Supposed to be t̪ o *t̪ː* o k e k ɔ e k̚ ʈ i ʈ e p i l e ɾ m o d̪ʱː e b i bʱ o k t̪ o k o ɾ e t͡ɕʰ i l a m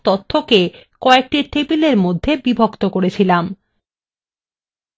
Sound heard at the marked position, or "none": t̪ʰː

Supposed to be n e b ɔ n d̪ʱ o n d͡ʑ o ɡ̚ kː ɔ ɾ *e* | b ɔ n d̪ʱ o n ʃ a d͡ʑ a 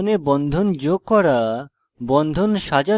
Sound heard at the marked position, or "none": a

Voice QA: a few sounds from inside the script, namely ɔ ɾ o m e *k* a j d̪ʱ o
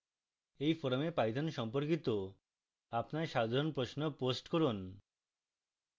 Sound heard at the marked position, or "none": p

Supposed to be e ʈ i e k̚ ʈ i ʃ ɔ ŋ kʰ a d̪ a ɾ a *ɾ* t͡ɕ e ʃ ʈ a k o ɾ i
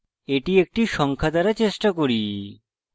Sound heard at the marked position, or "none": none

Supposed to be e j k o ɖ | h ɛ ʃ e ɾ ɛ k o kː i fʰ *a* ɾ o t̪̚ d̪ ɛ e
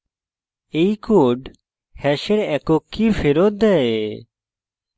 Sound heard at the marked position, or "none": e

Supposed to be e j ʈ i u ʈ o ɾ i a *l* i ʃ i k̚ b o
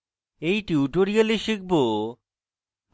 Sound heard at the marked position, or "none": l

